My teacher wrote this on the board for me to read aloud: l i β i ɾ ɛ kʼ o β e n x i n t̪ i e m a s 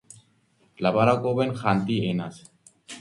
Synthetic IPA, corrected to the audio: l a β a ɾ a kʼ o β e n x a n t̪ i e n a s